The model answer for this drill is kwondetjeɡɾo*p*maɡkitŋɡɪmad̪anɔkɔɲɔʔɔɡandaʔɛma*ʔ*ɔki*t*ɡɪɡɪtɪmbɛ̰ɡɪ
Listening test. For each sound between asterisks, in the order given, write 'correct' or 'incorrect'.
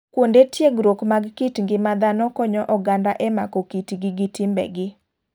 incorrect: k, incorrect: k, correct

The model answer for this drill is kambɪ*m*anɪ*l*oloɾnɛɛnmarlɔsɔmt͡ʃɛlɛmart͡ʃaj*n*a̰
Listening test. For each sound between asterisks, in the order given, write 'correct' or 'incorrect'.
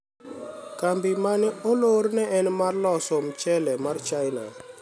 correct, incorrect: none, correct

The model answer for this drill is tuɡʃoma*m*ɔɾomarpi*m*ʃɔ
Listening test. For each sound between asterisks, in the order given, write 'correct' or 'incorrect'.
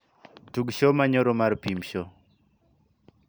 incorrect: ɲ, correct

